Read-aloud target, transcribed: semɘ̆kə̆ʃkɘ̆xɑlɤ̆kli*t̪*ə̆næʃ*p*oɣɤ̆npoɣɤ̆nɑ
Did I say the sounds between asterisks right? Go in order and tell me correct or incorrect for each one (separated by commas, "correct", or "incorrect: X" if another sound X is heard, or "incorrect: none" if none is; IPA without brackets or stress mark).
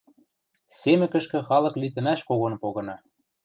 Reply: correct, incorrect: k